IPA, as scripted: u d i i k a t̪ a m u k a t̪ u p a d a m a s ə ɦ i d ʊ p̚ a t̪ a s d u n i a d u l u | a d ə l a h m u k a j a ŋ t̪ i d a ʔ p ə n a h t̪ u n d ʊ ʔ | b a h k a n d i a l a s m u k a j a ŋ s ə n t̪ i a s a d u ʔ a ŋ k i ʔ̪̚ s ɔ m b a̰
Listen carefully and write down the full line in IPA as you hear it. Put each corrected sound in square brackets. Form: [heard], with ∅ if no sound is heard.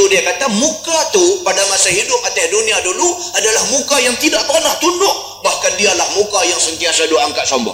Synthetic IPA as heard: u d i [a] k a t̪ a m u k a t̪ u p a d a m a s [a] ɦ i d ʊ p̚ a t̪ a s d u n i a d u l u | a d [a] l a h m u k a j a ŋ t̪ i d a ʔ p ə n a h t̪ u n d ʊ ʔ | b a h k a n d i a l a [h] m u k a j a ŋ s ə n t̪ i a s a d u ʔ a ŋ k [a] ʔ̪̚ s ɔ m b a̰